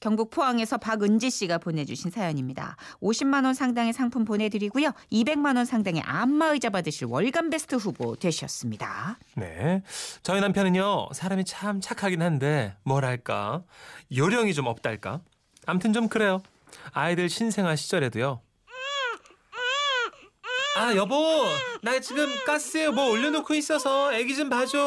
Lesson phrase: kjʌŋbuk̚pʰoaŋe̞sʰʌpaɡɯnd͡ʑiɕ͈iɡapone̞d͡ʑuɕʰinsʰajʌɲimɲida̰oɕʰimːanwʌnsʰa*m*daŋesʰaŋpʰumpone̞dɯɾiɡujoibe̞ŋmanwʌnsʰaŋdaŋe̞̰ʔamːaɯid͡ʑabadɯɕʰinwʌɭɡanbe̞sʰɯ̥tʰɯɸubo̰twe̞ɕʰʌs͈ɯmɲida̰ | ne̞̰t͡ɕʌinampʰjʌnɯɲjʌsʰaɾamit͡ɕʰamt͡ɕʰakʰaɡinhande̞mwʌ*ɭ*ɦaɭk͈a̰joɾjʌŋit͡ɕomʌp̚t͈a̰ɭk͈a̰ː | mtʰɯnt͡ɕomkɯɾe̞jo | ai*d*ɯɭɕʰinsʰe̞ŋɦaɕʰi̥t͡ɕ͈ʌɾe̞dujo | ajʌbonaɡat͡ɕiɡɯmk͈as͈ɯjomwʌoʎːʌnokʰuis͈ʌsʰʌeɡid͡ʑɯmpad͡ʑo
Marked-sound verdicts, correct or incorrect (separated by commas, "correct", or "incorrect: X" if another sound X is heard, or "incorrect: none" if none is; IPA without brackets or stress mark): incorrect: ŋ, incorrect: ɾ, correct